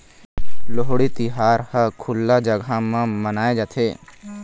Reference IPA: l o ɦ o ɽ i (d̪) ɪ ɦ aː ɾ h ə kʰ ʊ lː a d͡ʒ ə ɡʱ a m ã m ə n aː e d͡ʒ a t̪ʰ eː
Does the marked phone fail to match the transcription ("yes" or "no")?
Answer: yes